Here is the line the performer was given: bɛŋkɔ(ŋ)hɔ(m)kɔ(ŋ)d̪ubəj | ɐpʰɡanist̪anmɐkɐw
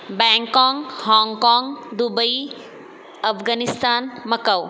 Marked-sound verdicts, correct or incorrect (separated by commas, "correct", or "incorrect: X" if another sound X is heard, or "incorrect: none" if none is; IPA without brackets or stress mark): correct, incorrect: ŋ, correct